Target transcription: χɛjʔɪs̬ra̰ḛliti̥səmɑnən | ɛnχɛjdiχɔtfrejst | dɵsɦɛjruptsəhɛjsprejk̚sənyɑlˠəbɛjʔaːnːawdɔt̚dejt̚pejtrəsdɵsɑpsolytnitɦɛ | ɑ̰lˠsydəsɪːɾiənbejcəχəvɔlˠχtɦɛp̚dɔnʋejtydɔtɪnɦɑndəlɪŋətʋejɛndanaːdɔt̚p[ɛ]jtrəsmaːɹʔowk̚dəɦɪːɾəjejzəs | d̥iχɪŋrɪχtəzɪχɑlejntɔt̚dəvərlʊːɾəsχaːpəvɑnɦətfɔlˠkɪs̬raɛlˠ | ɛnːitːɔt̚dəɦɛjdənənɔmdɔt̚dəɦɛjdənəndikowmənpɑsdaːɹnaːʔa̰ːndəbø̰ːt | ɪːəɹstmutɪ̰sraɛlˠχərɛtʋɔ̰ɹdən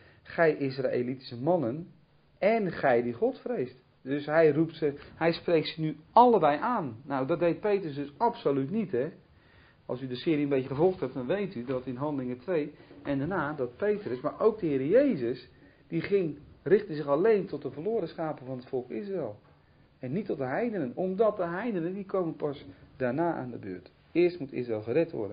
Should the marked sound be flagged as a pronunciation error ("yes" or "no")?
yes